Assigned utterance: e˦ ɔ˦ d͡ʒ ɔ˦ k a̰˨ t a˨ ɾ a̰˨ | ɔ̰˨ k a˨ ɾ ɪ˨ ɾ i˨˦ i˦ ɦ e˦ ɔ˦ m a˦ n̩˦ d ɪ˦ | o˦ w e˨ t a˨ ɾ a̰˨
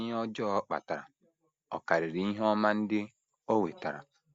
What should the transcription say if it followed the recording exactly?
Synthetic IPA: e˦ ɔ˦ d͡ʒ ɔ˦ k͡p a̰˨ t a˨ ɾ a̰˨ | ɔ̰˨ k a˨ ɾ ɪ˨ ɾ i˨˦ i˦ ɦ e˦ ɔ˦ m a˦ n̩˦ d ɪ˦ | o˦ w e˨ t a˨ ɾ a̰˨